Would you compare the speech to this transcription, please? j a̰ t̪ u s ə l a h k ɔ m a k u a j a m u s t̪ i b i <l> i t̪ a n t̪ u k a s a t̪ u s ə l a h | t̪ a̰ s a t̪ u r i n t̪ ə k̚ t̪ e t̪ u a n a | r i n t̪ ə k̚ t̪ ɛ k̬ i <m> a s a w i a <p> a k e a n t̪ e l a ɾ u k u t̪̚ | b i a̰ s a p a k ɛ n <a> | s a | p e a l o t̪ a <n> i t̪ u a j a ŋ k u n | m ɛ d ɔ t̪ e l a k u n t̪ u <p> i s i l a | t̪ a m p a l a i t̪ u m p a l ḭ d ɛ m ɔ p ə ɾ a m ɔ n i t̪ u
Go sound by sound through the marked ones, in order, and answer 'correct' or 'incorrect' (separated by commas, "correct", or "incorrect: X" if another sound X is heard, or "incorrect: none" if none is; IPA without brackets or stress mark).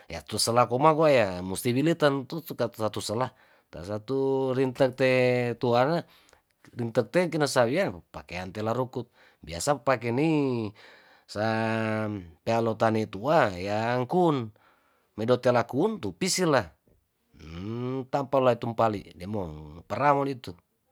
correct, incorrect: n, correct, incorrect: i, correct, correct